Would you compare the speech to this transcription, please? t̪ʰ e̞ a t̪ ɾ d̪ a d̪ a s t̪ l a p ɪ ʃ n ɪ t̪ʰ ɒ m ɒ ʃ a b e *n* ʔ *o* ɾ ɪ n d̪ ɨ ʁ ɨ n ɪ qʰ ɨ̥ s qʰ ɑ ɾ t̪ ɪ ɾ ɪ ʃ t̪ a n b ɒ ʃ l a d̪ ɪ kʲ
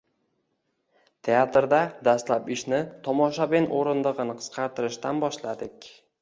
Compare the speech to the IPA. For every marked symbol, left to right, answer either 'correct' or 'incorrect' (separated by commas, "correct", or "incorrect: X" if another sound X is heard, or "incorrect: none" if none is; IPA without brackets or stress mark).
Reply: correct, correct